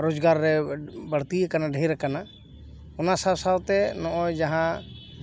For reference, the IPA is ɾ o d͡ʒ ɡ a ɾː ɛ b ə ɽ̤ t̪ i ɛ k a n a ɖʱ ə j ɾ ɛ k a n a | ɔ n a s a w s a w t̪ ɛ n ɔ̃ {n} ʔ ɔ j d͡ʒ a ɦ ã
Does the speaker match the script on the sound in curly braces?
no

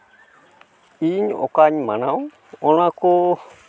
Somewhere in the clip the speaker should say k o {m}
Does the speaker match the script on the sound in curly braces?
no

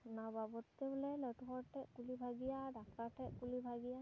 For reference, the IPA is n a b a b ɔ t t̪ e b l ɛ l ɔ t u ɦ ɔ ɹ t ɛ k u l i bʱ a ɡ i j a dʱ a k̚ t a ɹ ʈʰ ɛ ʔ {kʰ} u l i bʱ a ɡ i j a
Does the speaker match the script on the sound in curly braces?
no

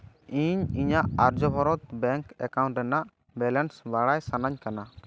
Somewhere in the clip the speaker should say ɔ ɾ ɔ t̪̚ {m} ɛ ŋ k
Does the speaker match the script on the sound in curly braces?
no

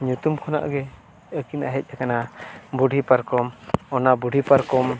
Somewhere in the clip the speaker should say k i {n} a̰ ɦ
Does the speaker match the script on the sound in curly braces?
yes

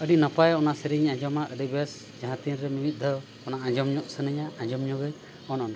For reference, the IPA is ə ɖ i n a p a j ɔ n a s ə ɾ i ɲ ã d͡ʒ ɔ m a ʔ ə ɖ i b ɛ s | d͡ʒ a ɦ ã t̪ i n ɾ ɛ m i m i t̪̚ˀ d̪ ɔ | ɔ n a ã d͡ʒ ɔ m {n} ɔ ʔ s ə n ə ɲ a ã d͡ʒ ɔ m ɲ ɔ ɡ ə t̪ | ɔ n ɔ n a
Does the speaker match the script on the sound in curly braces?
no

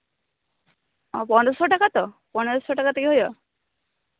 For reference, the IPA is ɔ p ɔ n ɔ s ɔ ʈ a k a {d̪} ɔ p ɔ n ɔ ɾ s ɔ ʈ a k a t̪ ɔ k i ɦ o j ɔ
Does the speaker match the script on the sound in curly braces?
no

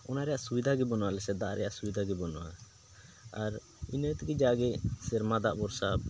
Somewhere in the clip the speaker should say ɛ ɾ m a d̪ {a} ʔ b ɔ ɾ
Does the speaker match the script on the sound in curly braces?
yes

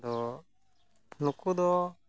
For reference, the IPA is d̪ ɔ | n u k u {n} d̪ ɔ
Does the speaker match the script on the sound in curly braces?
no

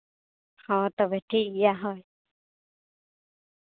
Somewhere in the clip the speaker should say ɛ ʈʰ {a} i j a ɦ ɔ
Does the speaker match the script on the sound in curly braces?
no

